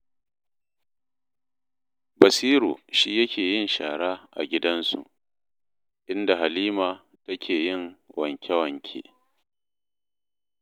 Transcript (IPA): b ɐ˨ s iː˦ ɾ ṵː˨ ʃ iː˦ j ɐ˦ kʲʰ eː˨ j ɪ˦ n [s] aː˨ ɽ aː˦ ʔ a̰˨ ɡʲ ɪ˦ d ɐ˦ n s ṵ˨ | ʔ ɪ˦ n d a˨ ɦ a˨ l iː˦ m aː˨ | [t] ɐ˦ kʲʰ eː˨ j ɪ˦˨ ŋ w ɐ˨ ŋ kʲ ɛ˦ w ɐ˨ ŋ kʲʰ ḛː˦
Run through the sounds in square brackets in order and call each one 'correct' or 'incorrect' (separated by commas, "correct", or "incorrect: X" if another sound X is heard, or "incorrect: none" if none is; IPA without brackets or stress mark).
incorrect: ʃ, correct